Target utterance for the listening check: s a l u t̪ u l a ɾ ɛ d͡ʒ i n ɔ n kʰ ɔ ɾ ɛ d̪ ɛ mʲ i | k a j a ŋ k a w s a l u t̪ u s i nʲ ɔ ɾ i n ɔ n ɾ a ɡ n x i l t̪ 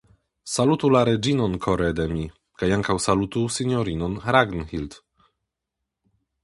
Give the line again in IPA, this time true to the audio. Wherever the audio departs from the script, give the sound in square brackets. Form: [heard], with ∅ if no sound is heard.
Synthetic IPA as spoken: s a l u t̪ u l a ɾ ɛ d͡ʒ i n ɔ n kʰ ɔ ɾ ɛ d̪ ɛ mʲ i | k a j a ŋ k a w s a l u t̪ u s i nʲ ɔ ɾ i n ɔ n ɾ a ɡ n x i l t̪